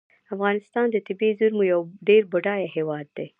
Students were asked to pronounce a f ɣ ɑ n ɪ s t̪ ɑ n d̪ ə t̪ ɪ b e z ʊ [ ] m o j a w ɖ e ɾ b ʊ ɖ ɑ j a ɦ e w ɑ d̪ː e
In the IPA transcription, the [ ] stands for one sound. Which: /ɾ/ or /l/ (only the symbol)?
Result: ɾ